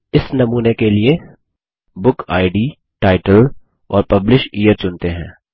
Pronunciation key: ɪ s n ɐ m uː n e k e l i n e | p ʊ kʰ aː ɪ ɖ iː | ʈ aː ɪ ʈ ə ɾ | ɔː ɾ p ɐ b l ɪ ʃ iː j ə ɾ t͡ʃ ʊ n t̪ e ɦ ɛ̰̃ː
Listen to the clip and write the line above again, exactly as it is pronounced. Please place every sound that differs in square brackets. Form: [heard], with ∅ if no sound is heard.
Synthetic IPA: ɪ s n ɐ m uː n e k e l i [∅] e | [b] ʊ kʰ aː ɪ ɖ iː | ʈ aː ɪ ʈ ə [l] | ɔː ɾ p ɐ b l ɪ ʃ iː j ə ɾ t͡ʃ ʊ n t̪ e ɦ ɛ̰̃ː